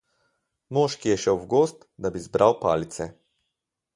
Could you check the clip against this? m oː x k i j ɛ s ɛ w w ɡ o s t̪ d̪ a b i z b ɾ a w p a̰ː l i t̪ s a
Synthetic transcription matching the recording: m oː ʃ k i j ɛ ʃ ɛ w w ɡ o s t̪ d̪ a b i z b ɾ a w p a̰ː l i t̪ s ɛ